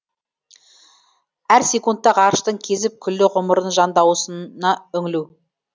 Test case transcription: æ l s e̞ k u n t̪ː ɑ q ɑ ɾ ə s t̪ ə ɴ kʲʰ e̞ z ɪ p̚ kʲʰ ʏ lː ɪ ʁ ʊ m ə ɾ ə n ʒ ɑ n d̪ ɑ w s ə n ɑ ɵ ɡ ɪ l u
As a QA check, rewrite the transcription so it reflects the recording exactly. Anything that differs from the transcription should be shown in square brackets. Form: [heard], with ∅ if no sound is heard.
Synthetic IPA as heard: æ [ɾ] s e̞ k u n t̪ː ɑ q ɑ ɾ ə [ʃ] t̪ ə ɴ kʲʰ e̞ z ɪ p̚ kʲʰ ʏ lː ɪ ʁ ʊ m ə ɾ ə n ʒ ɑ n d̪ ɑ w s ə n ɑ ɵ [ŋ] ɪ l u